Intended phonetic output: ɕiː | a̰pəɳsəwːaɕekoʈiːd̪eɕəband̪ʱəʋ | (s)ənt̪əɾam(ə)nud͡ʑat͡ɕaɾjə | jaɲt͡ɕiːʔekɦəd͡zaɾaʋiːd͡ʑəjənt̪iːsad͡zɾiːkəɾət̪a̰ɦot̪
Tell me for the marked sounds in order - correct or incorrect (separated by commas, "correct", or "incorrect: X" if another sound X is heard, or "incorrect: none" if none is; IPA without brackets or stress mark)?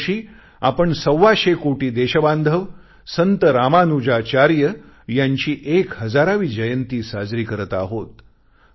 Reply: correct, incorrect: a